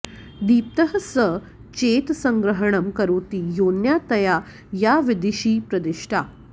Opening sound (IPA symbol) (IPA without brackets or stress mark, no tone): d̪